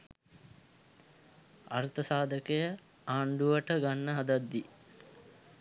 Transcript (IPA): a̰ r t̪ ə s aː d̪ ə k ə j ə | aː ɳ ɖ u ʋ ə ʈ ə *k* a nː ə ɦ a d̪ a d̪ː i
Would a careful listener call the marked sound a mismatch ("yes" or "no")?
yes